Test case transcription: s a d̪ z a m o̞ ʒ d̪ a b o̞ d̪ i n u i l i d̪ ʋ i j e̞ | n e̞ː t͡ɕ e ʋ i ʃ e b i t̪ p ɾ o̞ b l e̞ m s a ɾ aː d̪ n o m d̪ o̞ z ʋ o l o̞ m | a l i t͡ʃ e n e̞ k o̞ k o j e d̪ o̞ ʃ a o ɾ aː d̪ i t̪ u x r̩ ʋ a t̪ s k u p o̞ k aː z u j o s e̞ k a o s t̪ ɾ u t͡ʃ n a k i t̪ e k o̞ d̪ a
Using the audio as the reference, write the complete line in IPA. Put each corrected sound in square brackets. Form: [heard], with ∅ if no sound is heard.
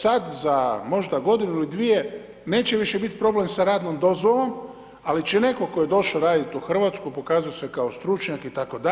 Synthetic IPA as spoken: s a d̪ z a m o̞ ʒ d̪ a [ɡ] o̞ d̪ i n u i l i d̪ ʋ i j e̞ | n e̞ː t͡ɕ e ʋ i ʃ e b i t̪ p ɾ o̞ b l e̞ m s a ɾ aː d̪ n o m d̪ o̞ z ʋ o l o̞ m | a l i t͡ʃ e n e̞ k o̞ k o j e d̪ o̞ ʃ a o ɾ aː d̪ i t̪ u x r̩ ʋ a t̪ s k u p o̞ k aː z u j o s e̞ k a o s t̪ ɾ u t͡ʃ [ɲ] a k i t̪ [a] k o̞ d̪ a